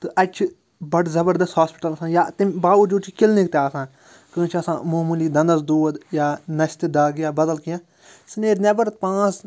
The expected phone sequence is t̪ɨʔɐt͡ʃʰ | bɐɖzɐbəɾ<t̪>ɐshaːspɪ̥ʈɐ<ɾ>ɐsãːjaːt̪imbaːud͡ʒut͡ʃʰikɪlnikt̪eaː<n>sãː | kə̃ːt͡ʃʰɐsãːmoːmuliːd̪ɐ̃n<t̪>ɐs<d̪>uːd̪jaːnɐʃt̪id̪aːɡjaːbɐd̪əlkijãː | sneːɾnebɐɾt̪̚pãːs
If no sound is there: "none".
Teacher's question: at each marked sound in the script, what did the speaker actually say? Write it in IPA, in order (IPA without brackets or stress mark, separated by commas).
d̪, l, none, d̪, d̪